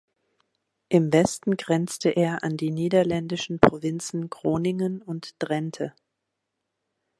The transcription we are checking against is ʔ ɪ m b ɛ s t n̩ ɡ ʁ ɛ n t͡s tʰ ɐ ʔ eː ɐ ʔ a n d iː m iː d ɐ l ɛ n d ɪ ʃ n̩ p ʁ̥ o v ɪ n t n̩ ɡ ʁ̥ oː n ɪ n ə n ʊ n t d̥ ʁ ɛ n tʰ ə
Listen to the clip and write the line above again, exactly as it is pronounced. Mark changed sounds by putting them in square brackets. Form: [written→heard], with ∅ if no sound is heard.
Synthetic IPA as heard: ʔ ɪ m [b→v] ɛ s t n̩ ɡ ʁ ɛ n t͡s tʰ [ɐ→ə] ʔ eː ɐ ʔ a n d iː [m→n] iː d ɐ l ɛ n d ɪ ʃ n̩ p ʁ̥ o v ɪ n [t→t͡s] n̩ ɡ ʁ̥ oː n ɪ [n→ŋ] ə n ʊ n t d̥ ʁ ɛ n tʰ ə